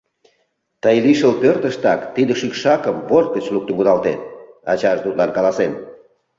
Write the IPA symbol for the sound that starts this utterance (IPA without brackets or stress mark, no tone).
t̪